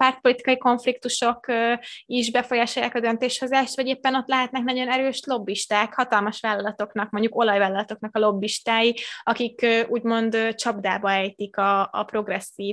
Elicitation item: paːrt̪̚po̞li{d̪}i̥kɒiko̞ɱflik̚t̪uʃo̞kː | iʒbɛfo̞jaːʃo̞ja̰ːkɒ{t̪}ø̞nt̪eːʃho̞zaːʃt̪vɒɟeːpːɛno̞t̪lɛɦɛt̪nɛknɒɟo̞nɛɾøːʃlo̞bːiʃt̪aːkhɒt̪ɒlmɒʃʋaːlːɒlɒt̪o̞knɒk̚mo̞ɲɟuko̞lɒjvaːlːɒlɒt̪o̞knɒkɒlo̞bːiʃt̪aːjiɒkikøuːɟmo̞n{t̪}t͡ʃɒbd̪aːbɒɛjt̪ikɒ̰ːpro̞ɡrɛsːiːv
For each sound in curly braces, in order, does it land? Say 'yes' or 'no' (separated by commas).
no, no, no